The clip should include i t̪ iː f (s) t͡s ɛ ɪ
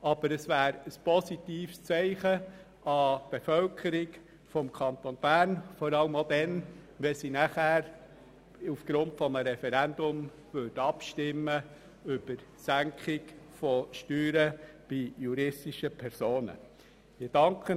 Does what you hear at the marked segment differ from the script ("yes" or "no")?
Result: no